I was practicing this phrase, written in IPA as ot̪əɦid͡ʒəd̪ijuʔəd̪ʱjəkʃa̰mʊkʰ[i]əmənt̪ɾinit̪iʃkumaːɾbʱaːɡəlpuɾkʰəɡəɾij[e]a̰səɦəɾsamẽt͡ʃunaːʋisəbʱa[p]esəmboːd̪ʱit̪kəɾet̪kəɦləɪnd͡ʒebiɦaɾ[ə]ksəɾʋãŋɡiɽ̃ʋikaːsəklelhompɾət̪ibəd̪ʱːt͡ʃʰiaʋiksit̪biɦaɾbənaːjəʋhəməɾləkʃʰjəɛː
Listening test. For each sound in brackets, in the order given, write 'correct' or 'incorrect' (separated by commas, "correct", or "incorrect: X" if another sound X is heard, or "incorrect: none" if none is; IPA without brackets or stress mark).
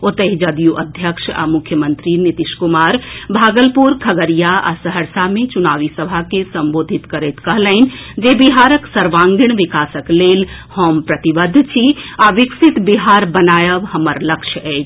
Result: incorrect: j, incorrect: a, incorrect: k, correct